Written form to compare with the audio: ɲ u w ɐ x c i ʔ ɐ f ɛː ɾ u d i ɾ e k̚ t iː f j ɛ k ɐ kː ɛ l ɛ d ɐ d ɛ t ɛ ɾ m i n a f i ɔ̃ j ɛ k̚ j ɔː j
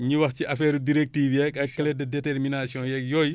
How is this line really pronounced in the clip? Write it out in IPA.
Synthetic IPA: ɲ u w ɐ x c i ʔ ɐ f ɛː ɾ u d i ɾ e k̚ t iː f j ɛ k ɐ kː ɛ l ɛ d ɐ d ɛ t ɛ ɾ m i n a s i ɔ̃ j ɛ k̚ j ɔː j